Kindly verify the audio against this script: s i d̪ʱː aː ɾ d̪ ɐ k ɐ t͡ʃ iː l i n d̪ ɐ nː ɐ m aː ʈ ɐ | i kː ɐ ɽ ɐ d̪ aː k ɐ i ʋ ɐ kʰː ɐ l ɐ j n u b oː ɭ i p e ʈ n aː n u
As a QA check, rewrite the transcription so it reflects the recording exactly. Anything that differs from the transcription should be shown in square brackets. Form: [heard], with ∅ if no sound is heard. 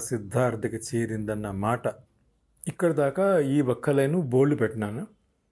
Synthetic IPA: s i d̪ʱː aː ɾ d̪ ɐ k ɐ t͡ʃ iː [ɾ] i n d̪ ɐ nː ɐ m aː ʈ ɐ | i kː ɐ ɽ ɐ d̪ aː k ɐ [iː] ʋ ɐ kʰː ɐ l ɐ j n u b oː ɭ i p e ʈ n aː n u